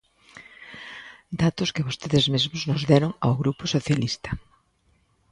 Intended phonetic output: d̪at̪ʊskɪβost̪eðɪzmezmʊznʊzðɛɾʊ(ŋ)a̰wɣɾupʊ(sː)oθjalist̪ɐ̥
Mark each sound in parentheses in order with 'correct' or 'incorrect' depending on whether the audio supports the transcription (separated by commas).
correct, incorrect